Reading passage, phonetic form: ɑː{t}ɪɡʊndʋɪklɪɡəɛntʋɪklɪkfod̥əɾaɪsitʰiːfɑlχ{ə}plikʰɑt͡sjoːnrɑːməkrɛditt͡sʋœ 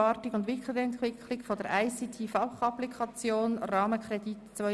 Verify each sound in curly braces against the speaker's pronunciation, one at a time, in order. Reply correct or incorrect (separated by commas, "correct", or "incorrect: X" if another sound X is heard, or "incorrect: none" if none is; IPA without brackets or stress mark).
correct, incorrect: ɑ